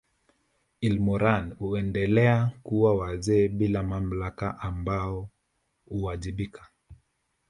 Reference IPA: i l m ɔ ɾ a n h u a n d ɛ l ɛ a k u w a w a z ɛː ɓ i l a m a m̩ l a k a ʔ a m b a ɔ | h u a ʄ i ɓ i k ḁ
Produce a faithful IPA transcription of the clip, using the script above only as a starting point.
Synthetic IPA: i l m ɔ ɾ a n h u ɛ n d ɛ l ɛ a k u w a w a z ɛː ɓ i l a m a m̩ l a k a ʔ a m b a ɔ | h u a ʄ i ɓ i k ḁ